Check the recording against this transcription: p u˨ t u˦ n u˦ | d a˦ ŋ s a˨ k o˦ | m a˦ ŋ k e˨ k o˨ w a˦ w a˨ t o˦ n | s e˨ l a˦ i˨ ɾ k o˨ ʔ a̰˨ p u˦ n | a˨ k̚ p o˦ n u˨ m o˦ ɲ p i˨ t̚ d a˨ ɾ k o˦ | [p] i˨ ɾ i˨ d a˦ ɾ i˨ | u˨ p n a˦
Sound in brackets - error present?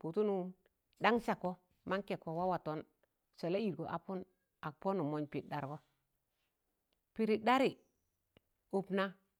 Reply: no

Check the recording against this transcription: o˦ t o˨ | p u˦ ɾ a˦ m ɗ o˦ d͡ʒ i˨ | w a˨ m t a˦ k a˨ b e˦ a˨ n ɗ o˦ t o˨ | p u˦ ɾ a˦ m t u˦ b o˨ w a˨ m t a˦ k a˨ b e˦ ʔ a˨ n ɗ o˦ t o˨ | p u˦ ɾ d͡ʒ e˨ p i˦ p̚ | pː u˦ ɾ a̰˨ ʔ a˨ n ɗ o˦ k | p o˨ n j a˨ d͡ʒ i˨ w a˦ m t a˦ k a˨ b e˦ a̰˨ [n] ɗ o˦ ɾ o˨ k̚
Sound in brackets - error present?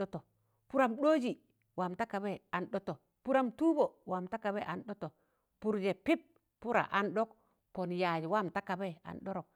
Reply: no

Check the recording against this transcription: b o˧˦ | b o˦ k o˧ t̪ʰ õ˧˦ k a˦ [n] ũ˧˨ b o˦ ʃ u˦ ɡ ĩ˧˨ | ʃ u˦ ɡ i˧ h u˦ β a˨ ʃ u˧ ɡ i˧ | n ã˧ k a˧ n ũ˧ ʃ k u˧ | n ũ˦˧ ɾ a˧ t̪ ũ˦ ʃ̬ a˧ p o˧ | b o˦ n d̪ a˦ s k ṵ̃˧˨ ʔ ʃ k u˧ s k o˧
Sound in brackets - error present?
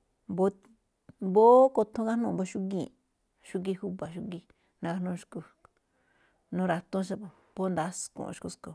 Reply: no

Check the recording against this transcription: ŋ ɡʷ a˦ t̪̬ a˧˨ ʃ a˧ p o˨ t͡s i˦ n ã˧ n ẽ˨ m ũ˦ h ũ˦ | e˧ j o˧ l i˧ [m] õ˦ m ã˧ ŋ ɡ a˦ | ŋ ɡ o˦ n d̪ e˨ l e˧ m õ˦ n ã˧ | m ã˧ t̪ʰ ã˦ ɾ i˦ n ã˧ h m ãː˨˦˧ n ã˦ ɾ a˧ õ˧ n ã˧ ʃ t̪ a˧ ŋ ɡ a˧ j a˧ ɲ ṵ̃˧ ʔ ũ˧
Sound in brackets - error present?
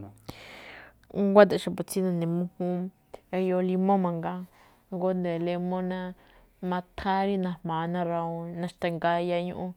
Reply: no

